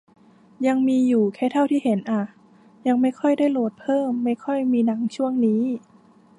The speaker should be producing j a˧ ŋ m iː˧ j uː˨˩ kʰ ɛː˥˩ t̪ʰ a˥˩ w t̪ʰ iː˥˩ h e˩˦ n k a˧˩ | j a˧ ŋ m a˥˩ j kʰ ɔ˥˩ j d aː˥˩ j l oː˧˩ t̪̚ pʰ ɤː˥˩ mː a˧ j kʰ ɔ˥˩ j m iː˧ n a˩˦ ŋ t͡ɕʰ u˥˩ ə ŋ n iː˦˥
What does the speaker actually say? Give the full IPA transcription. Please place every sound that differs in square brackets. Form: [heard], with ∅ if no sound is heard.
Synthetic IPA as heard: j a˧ ŋ m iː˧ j uː˨˩ kʰ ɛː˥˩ t̪ʰ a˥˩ w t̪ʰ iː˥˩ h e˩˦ n [ʔ] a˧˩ | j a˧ ŋ m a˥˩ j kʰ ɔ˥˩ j d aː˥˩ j l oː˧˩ t̪̚ pʰ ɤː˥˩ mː [a˥˩] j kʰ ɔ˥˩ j m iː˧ n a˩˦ ŋ t͡ɕʰ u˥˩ ə ŋ n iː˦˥